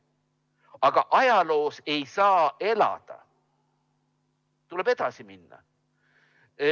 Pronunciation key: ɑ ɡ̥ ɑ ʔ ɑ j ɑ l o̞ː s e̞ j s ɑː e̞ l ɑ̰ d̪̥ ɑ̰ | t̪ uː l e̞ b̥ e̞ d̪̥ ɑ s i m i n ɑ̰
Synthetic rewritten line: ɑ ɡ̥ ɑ ʔ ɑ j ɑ l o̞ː s e̞ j s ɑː e̞ l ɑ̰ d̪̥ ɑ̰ | t̪ u l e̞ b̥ e̞ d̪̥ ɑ s i m i nː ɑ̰

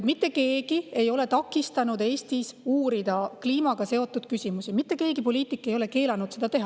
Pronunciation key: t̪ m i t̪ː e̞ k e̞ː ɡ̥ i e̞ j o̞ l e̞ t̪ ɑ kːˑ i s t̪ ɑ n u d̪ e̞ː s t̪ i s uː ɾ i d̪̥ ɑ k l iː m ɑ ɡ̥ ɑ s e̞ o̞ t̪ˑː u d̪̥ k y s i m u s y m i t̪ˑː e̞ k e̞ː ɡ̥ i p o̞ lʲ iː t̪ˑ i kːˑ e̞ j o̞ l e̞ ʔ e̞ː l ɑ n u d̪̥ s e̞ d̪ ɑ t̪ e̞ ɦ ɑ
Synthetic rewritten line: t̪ m i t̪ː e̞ k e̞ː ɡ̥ i e̞ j o̞ l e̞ t̪ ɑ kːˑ i s t̪ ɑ n u d̪ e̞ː s t̪ i s uː ɾ i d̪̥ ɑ k l iː m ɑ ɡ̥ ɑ s e̞ o̞ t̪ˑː u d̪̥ k y s i m u s i m i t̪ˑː e̞ k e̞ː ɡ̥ i p o̞ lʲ iː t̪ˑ i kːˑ e̞ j o̞ l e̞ k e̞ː l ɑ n u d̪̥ s e̞ d̪ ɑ t̪ e̞ ɦ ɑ

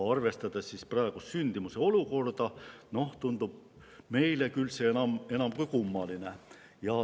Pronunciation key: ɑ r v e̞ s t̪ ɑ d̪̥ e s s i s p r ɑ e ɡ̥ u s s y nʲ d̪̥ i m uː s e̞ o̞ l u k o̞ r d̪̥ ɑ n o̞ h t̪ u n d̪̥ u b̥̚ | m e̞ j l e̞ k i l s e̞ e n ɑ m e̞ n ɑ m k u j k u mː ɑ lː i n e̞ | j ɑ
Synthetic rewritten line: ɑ r v e̞ s t̪ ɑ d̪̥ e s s i s p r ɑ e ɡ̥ u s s y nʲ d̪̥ i m u s e̞ o̞ l u k o̞ r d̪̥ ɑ n o̞ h t̪ u n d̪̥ u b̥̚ | m e̞ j l e̞ k y l s e̞ e n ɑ m e̞ n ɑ m k u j k u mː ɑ l i n e̞ | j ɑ

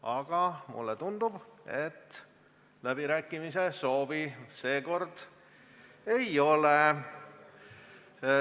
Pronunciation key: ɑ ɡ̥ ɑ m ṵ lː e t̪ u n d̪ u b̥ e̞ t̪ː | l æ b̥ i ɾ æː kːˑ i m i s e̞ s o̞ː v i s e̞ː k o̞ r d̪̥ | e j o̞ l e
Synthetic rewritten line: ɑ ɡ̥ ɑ m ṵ lː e t̪ u n d̪ u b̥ e̞ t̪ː | l æ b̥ i ɾ æː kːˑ i m i s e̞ s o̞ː v i s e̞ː k o̞ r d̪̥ | e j o̞ l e

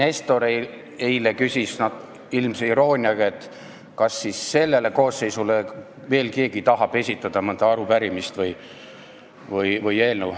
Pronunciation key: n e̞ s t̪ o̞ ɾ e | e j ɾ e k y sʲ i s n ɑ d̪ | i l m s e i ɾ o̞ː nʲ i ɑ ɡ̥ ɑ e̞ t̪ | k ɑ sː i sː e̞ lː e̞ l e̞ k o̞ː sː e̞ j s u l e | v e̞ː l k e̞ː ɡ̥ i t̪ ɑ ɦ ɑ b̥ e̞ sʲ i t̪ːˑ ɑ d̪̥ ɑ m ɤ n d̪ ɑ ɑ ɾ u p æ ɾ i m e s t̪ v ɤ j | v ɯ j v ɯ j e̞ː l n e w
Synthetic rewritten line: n e̞ s t̪ o̞ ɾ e | e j l e k y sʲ i s n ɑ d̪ | i l m s e i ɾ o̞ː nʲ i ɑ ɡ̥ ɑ e̞ t̪ | k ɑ sː i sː e̞ lː e̞ l e̞ k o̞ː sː e̞ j s u l e | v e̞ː l k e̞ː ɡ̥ i t̪ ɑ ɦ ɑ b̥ e̞ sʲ i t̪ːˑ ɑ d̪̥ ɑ m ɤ n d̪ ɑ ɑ ɾ u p æ ɾ i m i s t̪ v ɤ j | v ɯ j v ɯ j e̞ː l n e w

